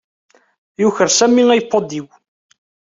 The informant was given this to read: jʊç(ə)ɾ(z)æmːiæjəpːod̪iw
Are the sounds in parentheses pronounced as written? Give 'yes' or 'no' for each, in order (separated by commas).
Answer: yes, no